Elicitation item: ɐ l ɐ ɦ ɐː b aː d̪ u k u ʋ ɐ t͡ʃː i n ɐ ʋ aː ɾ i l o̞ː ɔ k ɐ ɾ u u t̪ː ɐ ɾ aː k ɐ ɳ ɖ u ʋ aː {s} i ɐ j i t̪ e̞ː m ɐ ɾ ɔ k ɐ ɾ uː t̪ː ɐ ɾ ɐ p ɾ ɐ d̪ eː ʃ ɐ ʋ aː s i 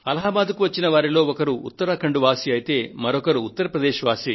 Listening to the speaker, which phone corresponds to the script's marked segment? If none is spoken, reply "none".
s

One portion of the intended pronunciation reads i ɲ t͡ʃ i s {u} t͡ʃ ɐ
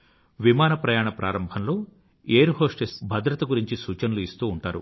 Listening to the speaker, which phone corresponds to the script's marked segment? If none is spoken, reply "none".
uː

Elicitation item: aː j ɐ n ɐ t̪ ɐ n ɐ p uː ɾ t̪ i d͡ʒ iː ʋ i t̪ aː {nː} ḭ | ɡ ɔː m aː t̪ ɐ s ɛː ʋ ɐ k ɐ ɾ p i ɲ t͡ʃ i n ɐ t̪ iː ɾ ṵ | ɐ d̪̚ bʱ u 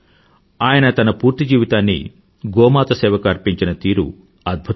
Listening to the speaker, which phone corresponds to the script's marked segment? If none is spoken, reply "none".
nː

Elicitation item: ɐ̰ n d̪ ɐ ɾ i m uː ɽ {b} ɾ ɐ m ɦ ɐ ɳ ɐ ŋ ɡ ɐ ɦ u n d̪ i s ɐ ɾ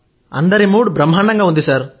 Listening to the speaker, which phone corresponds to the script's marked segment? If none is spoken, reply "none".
b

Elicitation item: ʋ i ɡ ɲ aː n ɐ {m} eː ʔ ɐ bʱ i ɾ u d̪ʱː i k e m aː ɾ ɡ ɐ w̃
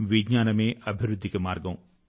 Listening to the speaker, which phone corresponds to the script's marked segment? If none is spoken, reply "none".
m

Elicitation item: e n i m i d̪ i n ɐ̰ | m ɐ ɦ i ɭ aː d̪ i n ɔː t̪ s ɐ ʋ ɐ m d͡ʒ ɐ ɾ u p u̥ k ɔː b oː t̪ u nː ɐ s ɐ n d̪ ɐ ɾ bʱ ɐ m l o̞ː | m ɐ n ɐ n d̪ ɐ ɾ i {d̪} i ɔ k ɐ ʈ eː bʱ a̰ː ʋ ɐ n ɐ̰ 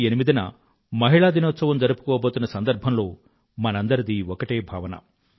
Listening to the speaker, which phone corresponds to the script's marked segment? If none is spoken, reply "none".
d̪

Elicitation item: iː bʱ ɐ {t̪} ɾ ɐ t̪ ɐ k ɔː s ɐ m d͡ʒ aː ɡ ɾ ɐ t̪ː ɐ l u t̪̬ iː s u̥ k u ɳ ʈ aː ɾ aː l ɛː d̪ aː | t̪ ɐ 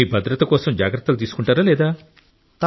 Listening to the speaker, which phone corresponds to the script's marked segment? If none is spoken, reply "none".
d̪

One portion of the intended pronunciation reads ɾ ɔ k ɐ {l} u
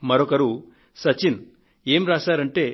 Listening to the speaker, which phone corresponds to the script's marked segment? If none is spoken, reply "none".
ɾ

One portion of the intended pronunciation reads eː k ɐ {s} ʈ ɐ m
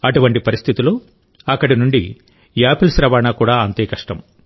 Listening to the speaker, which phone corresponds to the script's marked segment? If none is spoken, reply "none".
ʂ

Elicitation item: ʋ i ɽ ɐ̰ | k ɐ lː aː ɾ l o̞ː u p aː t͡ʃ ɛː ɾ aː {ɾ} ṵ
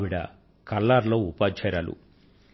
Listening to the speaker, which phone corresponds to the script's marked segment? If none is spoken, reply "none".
l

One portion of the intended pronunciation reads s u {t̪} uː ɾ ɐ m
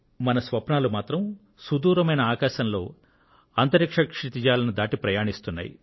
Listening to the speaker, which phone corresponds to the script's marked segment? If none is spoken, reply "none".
d̪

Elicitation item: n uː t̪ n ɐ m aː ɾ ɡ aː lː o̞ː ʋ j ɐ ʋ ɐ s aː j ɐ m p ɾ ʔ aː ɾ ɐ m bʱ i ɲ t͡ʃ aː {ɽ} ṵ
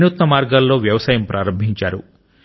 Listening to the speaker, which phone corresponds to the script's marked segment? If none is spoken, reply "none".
ɾ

